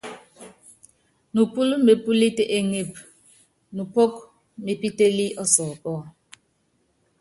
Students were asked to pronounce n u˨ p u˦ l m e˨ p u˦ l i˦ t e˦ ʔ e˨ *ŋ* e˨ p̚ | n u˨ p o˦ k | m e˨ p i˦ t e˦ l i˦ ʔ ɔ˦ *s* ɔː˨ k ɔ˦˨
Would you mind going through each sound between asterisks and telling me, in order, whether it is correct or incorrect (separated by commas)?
correct, correct